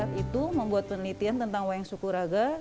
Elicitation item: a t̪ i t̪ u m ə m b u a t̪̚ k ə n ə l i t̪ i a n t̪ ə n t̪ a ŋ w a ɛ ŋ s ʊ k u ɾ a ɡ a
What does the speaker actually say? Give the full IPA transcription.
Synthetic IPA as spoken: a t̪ i t̪ u m ə m b u a t̪̚ p ə n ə l i t̪ i a n t̪ ə n t̪ a ŋ w a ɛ ŋ s u k u ɾ a ɡ a